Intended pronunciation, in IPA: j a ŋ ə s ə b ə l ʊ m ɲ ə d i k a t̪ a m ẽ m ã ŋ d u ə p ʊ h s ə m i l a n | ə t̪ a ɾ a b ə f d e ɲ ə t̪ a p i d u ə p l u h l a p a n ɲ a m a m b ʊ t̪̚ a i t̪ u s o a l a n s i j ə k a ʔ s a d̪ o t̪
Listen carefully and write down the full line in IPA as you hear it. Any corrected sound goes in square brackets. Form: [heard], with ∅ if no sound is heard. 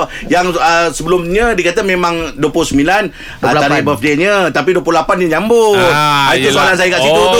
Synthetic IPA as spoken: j a ŋ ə s ə b ə l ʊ m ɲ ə d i k a t̪ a m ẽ m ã ŋ d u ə p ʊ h s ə m i l a n | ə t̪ a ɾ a b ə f d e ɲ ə t̪ a p i d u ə p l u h l a p a n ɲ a [ɲ] a m b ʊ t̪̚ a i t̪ u s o a l a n s [a] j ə k a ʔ s [i] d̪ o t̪